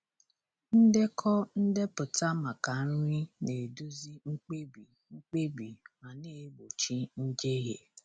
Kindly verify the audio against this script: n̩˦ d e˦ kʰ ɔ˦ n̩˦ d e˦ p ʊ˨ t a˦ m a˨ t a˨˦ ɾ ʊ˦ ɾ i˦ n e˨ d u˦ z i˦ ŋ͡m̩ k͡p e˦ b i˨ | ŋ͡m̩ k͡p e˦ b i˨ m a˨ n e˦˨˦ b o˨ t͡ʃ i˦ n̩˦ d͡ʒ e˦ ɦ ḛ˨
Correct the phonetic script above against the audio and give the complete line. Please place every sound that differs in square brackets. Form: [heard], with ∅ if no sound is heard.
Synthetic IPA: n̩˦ d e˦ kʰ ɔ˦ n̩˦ d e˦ p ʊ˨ t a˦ m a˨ [k] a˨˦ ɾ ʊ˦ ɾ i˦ n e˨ d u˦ z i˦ ŋ͡m̩ k͡p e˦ b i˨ | ŋ͡m̩ k͡p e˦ b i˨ m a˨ n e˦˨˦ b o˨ t͡ʃ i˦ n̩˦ d͡ʒ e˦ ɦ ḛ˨